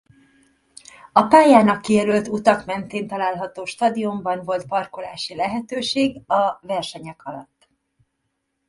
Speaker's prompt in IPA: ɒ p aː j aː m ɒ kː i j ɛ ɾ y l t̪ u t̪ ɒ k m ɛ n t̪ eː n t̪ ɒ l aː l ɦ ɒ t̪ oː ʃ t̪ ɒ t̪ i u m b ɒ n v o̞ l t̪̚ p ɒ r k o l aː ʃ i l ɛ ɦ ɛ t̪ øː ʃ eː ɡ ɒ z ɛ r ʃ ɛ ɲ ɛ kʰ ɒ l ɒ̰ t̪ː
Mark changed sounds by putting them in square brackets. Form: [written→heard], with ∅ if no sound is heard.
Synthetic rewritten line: ɒ p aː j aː [m→n] ɒ kː i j ɛ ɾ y l t̪ u t̪ ɒ k m ɛ n t̪ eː n t̪ ɒ l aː l ɦ ɒ t̪ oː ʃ t̪ ɒ [t̪→d̪] i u m b ɒ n v o̞ l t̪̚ p ɒ r k o l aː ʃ i l ɛ ɦ ɛ t̪ øː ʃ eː ɡ ɒ [z→v] ɛ r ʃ ɛ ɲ ɛ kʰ ɒ l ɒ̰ t̪ː

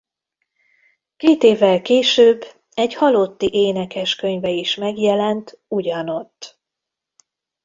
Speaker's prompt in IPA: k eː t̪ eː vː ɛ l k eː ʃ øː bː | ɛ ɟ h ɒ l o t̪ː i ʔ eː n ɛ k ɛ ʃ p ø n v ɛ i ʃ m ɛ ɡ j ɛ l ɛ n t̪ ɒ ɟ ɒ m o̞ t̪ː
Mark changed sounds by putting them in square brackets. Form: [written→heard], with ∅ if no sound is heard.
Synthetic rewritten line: k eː t̪ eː vː ɛ l k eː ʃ øː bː | ɛ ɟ h ɒ l o t̪ː i ʔ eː n ɛ k ɛ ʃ [p→k] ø [n→ɲ] v ɛ i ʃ m ɛ ɡ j ɛ l ɛ n t̪ [ɒ→u] ɟ ɒ [m→n] o̞ t̪ː

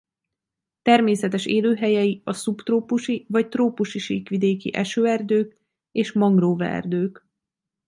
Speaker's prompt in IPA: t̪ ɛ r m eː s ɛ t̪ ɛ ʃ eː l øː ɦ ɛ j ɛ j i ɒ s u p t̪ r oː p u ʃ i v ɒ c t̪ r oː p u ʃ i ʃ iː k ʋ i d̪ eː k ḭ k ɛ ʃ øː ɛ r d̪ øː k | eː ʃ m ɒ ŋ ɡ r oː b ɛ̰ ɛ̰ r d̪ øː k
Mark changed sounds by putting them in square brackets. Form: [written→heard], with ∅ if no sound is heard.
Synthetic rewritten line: t̪ ɛ r m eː s ɛ t̪ ɛ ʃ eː l øː ɦ ɛ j ɛ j i ɒ s u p t̪ r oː p u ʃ i v ɒ c t̪ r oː p u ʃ i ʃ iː k ʋ i d̪ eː k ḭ [k→ʔ] ɛ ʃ øː ɛ r d̪ øː k | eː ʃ m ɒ ŋ ɡ r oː [b→v] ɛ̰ ɛ̰ r d̪ øː k

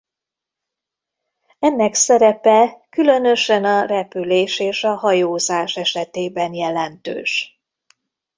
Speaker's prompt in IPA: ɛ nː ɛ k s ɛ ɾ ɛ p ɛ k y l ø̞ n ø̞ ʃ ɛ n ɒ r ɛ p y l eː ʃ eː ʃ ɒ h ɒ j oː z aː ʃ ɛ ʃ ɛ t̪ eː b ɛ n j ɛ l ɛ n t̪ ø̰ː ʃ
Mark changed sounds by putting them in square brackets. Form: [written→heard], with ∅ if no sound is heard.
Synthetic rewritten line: ɛ nː ɛ k s ɛ ɾ ɛ p ɛ k y l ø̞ n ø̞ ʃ ɛ n ɒ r ɛ p y l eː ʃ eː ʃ ɒ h ɒ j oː z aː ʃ ɛ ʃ ɛ t̪ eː b ɛ n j ɛ l ɛ n t̪ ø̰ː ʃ

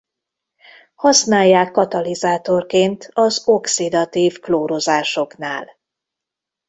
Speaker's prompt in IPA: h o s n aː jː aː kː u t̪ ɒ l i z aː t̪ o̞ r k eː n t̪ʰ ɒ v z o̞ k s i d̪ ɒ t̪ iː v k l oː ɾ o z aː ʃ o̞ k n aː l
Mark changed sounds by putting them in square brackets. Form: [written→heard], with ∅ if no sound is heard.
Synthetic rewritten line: h [o→ɒ] s n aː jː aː kː [u→ɒ] t̪ ɒ l i z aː t̪ o̞ r k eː n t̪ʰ ɒ [v→∅] z o̞ k s i d̪ ɒ t̪ iː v k l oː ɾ o z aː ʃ o̞ k n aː l

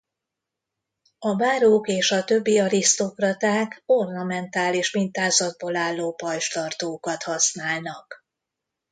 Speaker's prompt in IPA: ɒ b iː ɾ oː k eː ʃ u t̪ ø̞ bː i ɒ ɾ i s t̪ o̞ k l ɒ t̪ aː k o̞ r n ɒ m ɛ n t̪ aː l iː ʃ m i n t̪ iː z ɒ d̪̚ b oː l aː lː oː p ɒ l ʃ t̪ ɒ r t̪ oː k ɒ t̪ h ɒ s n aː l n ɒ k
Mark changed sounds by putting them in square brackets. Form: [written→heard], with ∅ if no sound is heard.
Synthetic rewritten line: ɒ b [iː→aː] ɾ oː k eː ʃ [u→ɒ] t̪ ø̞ bː i ɒ ɾ i s t̪ o̞ k [l→r] ɒ t̪ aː k o̞ r n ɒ m ɛ n t̪ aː l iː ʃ m i n t̪ [iː→aː] z ɒ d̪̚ b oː l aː lː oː p ɒ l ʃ t̪ ɒ r t̪ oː k ɒ t̪ h ɒ s n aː l n ɒ k

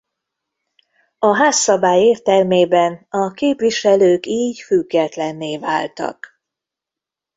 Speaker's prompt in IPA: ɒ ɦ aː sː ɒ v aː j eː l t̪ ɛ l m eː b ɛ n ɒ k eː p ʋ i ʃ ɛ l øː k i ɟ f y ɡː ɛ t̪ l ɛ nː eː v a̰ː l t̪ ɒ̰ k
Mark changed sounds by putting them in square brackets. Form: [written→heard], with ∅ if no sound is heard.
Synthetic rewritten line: ɒ ɦ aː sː ɒ [v→b] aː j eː [l→r] t̪ ɛ l m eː b ɛ n ɒ k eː p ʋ i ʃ ɛ l øː k [i→iː] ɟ f y ɡː ɛ t̪ l ɛ nː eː v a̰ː l t̪ ɒ̰ k

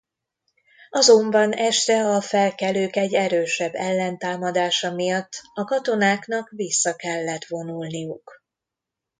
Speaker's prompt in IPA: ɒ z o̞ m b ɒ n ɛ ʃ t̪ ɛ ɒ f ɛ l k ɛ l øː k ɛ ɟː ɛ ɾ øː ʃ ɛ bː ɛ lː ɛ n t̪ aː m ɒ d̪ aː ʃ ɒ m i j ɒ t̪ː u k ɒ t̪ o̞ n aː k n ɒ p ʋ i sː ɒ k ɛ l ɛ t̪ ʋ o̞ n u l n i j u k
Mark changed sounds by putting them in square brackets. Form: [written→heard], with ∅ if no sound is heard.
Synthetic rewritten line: ɒ z o̞ m b ɒ n ɛ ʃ t̪ ɛ ɒ f ɛ l k ɛ l øː k ɛ ɟː ɛ ɾ øː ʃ ɛ bː ɛ lː ɛ n t̪ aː m ɒ d̪ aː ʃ ɒ m i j ɒ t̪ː [u→ɒ] k ɒ t̪ o̞ n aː k n ɒ [p→k] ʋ i sː ɒ k ɛ [l→lː] ɛ t̪ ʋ o̞ n u l n i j u k

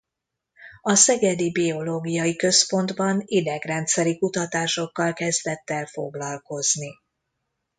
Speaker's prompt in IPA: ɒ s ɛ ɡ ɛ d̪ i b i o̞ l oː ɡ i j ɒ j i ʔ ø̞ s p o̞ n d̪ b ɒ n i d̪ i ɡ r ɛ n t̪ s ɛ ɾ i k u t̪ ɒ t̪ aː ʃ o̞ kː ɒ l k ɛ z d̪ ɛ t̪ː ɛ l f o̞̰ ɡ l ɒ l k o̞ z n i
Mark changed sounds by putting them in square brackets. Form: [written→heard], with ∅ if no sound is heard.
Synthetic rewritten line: ɒ s ɛ ɡ ɛ d̪ i b i o̞ l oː ɡ i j ɒ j i [ʔ→k] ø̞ s p o̞ n d̪ b ɒ n i d̪ [i→ɛ] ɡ r ɛ n t̪ s ɛ ɾ i k u t̪ ɒ t̪ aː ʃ o̞ kː ɒ l k ɛ z d̪ ɛ t̪ː ɛ l f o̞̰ ɡ l ɒ l k o̞ z n i

